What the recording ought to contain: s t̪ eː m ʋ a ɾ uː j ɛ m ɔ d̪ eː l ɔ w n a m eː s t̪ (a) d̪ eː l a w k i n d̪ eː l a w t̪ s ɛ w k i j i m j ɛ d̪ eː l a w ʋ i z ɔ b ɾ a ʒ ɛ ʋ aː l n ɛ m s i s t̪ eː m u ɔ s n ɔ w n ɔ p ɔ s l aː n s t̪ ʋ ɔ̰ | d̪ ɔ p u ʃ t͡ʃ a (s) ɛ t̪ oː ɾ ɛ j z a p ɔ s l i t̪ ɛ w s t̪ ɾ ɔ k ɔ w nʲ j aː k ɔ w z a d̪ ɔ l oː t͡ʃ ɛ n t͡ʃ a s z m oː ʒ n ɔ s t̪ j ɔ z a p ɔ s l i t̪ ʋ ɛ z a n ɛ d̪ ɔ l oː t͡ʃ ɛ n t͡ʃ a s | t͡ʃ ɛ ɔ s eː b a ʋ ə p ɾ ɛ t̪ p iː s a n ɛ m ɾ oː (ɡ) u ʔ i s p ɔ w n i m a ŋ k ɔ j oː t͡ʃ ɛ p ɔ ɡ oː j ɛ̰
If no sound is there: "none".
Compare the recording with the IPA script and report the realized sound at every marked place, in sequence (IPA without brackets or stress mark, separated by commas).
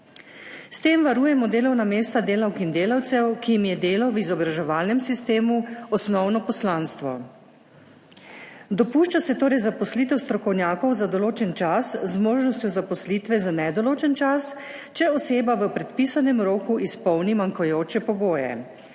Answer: a, s, k